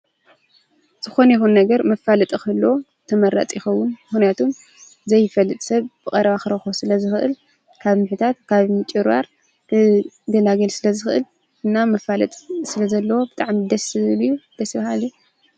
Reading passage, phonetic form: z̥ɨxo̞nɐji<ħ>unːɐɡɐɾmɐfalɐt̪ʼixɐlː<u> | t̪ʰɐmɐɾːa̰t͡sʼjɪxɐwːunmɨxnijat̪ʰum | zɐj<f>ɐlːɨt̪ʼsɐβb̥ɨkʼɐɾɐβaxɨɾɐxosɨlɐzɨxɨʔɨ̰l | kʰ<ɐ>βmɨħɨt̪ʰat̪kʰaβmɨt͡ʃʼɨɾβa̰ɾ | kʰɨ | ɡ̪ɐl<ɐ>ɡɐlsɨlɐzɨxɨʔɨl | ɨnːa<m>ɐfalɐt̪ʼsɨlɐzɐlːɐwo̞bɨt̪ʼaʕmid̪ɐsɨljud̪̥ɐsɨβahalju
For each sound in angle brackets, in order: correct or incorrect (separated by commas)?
incorrect, incorrect, correct, incorrect, incorrect, correct